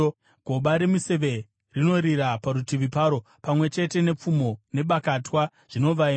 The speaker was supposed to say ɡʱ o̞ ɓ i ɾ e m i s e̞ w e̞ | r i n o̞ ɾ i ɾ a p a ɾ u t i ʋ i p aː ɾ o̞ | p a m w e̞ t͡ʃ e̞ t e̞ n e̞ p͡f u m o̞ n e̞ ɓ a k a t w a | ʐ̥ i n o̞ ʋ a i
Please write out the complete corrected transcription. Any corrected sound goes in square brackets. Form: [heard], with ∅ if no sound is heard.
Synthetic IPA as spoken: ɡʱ o̞ ɓ [a] ɾ e m i s e̞ [ʋ] e̞ | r i n o̞ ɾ i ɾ a p a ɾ u t i ʋ i p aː ɾ o̞ | p a m w e̞ t͡ʃ e̞ t e̞ n e̞ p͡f u m o̞ n e̞ ɓ a k a t w a | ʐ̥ i n o̞ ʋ a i